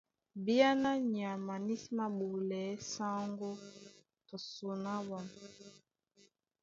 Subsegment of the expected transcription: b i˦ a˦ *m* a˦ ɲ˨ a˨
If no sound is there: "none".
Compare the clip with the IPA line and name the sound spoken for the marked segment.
n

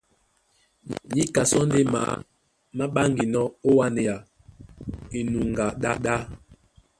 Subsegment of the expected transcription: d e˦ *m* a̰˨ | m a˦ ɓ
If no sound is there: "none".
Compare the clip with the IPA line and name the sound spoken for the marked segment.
m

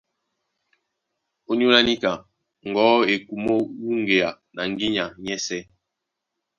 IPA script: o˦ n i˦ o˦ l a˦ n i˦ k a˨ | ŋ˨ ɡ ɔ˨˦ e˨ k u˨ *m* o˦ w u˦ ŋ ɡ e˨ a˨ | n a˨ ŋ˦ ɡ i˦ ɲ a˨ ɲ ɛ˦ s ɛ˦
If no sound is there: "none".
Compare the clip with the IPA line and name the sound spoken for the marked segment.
m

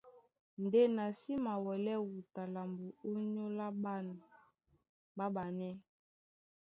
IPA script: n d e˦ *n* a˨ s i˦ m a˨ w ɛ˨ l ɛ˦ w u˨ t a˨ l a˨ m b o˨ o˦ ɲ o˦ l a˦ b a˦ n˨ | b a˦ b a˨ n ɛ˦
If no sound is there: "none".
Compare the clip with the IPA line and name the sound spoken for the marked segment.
n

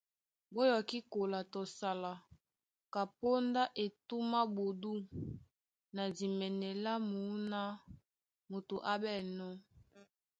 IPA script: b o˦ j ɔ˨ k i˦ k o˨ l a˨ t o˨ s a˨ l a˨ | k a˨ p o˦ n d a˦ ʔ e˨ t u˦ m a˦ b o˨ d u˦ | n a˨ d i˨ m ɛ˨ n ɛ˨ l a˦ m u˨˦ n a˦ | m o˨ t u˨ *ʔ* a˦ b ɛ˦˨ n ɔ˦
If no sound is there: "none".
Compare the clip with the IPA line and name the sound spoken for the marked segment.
ʔ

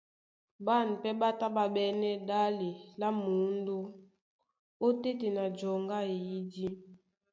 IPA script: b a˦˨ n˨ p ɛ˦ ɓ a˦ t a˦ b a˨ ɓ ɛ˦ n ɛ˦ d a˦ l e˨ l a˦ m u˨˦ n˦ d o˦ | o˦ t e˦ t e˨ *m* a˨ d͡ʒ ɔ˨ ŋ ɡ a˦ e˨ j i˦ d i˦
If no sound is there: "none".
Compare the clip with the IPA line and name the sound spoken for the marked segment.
n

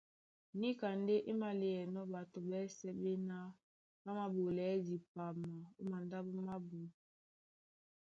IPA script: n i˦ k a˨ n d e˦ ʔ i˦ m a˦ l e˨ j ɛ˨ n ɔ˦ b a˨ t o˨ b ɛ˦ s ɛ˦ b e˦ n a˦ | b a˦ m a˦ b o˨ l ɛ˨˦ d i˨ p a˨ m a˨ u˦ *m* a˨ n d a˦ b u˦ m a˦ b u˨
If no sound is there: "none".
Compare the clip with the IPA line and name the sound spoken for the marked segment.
m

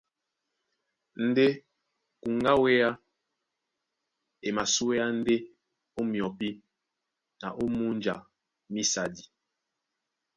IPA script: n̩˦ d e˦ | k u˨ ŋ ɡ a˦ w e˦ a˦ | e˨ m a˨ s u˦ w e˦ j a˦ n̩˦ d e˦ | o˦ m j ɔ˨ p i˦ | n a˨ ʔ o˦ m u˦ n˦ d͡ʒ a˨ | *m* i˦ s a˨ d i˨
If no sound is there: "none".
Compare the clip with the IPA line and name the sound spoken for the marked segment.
m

